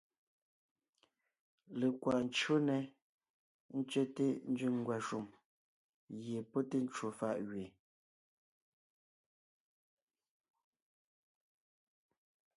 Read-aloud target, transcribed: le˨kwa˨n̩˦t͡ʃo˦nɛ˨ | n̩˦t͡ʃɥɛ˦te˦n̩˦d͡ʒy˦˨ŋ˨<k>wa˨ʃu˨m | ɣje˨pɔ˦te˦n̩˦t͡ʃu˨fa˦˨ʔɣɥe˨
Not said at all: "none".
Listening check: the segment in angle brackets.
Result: ɡ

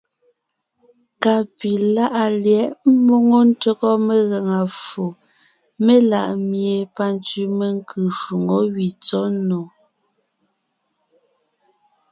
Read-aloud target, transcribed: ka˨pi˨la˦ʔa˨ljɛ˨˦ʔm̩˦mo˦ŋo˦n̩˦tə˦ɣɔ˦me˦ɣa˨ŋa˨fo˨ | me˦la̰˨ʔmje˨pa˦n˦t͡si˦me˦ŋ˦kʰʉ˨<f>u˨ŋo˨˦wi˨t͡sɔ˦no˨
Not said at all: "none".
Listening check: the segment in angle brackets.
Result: ʃ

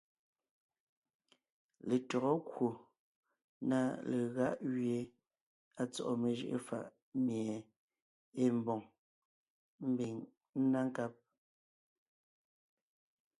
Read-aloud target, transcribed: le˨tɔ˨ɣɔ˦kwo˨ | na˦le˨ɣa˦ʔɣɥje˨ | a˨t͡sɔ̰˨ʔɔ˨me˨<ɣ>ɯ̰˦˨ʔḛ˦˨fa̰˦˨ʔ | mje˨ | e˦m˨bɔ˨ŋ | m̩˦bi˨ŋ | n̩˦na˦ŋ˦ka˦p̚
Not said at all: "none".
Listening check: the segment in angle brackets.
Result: ʒ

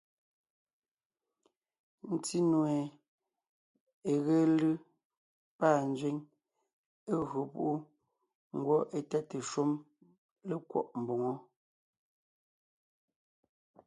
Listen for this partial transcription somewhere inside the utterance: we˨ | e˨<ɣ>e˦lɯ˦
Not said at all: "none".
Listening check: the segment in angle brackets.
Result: ɣ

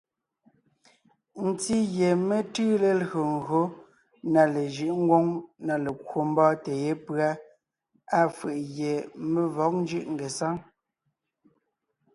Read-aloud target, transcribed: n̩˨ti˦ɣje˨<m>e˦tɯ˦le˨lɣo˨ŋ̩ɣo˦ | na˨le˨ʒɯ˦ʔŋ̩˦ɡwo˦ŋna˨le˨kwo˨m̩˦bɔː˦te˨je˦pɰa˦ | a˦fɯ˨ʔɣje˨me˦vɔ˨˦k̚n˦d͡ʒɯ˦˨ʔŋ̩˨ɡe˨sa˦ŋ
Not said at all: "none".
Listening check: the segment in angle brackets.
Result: m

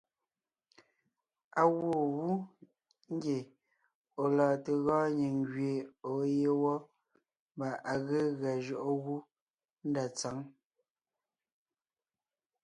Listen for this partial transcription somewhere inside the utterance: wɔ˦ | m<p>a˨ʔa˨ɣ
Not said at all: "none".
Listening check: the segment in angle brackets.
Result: b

